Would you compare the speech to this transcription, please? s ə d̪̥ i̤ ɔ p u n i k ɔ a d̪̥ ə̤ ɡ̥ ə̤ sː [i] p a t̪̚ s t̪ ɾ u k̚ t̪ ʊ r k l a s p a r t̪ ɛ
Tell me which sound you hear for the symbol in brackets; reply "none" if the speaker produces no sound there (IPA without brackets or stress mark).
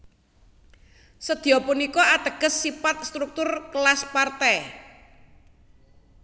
i